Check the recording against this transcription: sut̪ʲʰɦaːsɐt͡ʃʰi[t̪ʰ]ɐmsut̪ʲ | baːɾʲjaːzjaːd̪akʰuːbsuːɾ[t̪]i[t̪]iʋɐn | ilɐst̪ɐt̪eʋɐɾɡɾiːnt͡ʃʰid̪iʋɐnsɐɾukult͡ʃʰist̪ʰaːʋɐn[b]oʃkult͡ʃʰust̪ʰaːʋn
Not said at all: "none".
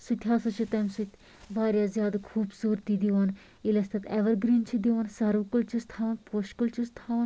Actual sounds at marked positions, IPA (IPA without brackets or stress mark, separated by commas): t̪, t̪, d̪, p